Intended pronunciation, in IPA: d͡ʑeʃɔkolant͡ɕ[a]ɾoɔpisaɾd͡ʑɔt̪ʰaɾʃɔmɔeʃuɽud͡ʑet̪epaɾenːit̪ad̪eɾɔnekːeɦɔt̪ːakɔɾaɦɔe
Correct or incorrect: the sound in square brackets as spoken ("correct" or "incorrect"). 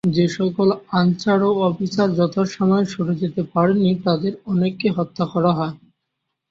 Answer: correct